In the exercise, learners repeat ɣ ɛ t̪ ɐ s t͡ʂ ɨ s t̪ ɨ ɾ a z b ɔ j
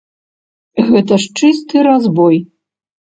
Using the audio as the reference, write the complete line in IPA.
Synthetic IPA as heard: ɣ ɛ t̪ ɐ ʂ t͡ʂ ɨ s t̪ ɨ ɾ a z b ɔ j

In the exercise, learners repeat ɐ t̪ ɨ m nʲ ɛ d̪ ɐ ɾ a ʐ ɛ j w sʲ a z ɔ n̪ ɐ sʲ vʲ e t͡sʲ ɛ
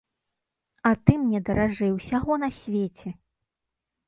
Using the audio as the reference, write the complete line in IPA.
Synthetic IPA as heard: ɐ t̪ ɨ m nʲ ɛ d̪ ɐ ɾ a ʐ ɛ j w sʲ a ɣ ɔ n̪ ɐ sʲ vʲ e t͡sʲ ɛ

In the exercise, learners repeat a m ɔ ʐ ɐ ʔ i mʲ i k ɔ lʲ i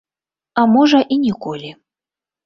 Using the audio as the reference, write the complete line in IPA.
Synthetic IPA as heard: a m ɔ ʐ ɐ ʔ i nʲ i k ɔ lʲ i

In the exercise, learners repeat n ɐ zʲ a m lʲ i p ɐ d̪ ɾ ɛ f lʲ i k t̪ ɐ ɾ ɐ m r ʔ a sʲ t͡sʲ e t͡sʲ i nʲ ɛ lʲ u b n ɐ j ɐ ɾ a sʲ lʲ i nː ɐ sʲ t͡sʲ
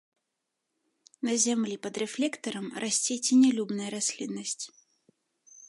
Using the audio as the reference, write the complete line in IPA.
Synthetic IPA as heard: n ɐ zʲ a m lʲ i p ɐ d̪ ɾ ɛ f lʲ ɛ k t̪ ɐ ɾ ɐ m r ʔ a sʲ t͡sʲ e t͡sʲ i nʲ ɛ lʲ u b n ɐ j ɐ ɾ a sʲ lʲ i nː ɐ sʲ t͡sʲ

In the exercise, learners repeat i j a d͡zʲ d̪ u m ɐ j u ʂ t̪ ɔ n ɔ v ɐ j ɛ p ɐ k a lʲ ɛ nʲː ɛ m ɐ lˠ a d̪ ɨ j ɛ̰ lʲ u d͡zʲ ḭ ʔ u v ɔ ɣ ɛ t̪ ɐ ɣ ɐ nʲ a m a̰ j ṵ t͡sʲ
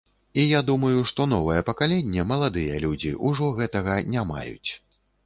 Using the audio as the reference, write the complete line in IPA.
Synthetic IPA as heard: i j a d̪ u m ɐ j u ʂ t̪ ɔ n ɔ v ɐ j ɛ p ɐ k a lʲ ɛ nʲː ɛ m ɐ lˠ a d̪ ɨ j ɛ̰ lʲ u d͡zʲ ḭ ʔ u ʐ ɔ ɣ ɛ t̪ ɐ ɣ ɐ nʲ a m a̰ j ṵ t͡sʲ

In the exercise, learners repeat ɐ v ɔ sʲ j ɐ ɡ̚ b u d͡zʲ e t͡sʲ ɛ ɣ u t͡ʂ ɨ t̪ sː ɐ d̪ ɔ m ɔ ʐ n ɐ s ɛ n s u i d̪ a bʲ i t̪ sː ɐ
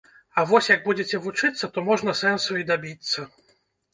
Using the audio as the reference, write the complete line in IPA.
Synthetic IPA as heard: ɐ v ɔ sʲ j ɐ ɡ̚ b u d͡zʲ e t͡sʲ ɛ v u t͡ʂ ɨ t̪ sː ɐ t̪ ɔ m ɔ ʐ n ɐ s ɛ n s u i d̪ a bʲ i t̪ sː ɐ

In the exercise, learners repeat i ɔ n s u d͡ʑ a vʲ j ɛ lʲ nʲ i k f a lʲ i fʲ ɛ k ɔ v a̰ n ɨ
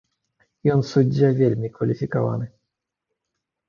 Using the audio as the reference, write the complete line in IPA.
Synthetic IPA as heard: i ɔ n s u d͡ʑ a vʲ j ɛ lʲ mʲ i k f a lʲ i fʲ i k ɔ v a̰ n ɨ

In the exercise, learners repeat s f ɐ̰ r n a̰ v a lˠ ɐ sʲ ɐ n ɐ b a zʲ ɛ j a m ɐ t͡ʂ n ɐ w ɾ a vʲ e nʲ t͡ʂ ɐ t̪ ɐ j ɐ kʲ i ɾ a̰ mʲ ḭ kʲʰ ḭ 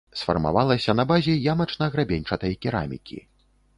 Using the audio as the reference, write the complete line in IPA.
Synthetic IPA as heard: s f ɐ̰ r m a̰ v a lˠ ɐ sʲ ɐ n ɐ b a zʲ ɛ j a m ɐ t͡ʂ n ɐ ɣ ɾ a bʲ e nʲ t͡ʂ ɐ t̪ ɐ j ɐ kʲ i ɾ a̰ mʲ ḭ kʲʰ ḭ

